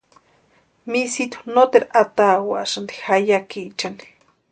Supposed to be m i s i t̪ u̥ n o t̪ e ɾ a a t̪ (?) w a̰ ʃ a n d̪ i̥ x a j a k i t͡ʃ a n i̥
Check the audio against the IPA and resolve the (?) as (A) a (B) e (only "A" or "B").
A